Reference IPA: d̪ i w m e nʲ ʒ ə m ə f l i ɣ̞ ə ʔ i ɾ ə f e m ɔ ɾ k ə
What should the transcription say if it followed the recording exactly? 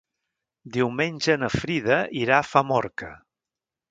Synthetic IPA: d̪ i w m e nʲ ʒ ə n ə f ɾ i ð̞ ə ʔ i ɾ a f a m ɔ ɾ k ə